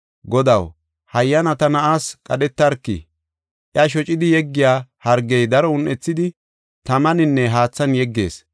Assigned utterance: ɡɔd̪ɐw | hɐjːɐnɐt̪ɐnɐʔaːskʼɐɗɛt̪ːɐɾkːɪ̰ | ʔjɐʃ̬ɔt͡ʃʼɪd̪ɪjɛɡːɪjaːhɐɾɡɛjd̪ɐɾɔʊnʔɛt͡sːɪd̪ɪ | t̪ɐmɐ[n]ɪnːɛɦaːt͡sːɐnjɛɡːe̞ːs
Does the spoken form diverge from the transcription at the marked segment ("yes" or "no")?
no